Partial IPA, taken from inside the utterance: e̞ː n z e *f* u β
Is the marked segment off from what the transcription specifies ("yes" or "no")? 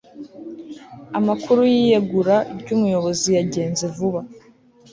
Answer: yes